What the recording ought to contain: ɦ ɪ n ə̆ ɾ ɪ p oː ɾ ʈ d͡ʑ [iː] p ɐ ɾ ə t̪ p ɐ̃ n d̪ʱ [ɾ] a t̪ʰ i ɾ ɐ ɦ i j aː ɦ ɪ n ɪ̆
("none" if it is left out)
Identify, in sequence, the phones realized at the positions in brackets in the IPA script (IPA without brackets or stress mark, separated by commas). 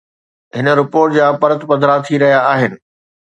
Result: aː, ɾ